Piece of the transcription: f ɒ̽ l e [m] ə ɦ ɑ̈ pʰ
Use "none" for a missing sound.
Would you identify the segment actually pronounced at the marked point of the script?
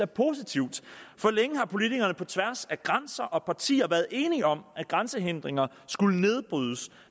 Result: ŋ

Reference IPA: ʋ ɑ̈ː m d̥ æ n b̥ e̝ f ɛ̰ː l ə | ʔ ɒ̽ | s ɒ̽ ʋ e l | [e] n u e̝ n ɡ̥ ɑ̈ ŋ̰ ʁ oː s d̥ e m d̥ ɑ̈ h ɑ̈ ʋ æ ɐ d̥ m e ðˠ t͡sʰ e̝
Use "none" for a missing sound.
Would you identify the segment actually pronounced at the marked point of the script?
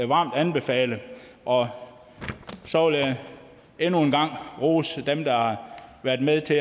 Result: e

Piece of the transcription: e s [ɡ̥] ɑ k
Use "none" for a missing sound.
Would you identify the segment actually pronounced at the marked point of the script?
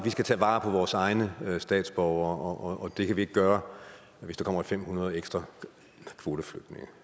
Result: d̥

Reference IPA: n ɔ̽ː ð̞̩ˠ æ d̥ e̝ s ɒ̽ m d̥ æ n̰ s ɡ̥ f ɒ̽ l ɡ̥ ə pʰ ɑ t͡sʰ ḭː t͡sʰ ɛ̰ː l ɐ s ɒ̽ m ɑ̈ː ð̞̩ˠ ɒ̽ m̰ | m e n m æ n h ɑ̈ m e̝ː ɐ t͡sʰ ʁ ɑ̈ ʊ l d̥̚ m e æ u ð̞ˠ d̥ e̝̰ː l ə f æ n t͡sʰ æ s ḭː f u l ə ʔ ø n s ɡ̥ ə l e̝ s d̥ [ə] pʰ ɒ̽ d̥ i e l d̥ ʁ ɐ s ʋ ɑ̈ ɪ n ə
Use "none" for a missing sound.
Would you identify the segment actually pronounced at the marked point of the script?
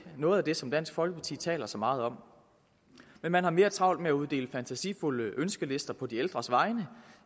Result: ɐ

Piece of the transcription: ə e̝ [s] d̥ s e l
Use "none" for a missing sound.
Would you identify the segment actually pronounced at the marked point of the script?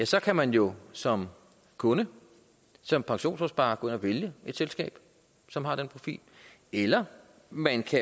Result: none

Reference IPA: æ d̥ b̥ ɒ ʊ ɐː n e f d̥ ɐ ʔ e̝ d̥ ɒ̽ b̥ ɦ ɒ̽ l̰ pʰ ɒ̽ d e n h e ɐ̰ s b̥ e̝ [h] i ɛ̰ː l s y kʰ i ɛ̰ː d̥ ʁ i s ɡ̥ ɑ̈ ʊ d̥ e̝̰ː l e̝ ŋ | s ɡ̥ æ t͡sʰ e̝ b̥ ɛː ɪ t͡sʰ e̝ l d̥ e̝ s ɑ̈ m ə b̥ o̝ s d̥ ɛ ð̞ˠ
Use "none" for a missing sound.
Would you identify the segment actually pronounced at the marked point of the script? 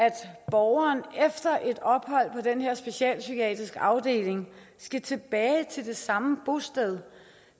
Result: ɕ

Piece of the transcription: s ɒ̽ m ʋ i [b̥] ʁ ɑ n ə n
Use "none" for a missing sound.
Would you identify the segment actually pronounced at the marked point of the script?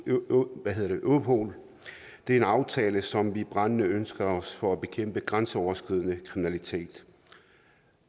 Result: b̥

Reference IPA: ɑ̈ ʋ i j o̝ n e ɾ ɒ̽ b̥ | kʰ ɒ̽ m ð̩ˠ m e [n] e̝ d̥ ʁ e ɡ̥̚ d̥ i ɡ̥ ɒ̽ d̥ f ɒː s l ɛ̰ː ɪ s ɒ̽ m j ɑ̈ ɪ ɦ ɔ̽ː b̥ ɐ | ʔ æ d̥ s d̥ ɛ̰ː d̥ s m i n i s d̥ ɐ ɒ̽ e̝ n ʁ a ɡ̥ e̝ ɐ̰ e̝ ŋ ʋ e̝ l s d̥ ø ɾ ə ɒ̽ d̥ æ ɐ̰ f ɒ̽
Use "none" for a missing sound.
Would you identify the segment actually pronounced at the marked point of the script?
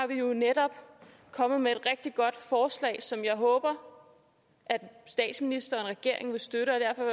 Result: none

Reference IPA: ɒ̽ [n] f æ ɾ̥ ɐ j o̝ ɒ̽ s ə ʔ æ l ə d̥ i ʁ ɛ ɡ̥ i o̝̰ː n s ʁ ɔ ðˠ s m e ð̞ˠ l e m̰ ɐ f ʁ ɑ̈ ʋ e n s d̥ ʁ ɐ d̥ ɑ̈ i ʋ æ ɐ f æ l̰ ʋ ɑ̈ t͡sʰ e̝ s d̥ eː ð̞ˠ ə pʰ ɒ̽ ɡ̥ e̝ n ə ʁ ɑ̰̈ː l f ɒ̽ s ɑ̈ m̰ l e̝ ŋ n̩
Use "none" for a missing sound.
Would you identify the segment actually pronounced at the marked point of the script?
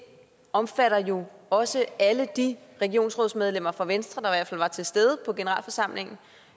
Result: m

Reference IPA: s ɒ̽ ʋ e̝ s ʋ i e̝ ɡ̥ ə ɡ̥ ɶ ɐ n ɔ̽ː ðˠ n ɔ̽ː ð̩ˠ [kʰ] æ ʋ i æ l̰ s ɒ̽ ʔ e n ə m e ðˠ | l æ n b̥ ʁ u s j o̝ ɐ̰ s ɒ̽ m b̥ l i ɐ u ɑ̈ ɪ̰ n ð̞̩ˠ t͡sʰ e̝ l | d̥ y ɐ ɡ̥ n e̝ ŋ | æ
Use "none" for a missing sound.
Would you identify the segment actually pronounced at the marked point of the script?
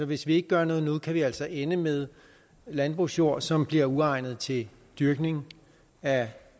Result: kʰ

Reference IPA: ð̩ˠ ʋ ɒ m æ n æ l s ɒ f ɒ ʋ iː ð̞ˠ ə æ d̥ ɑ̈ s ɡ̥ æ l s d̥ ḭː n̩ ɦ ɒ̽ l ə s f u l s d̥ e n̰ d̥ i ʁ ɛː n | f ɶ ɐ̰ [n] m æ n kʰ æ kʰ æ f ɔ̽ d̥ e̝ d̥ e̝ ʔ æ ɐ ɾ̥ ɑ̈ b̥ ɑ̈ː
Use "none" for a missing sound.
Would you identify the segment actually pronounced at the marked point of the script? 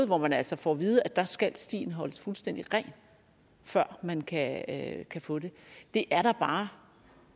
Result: none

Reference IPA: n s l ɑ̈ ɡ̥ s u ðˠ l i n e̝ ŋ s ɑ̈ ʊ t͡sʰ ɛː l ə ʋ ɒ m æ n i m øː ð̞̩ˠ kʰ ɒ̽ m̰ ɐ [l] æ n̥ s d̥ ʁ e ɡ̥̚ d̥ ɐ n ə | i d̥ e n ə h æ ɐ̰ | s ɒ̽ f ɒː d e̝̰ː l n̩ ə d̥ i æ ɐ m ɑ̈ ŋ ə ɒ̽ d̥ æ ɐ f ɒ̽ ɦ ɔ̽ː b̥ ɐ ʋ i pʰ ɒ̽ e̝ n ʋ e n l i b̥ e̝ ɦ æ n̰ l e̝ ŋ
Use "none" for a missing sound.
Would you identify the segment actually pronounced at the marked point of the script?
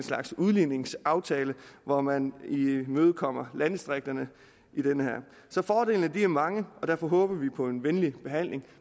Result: l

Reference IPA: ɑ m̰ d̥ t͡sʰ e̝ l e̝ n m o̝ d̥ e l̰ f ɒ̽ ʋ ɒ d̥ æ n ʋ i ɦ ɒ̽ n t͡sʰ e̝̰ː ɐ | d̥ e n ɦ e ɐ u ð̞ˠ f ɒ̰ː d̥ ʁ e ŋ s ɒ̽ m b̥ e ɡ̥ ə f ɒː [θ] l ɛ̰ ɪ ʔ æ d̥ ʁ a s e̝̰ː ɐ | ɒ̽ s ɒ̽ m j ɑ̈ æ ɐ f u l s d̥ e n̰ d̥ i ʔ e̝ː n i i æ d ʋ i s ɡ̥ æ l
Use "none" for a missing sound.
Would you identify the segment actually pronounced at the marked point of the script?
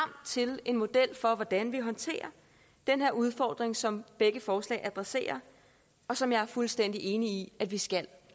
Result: s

